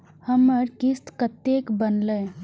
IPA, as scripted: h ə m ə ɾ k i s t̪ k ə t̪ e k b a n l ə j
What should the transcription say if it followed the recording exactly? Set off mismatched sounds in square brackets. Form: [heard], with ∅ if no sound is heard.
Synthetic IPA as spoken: h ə m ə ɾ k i s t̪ k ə t̪ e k b [ə] n l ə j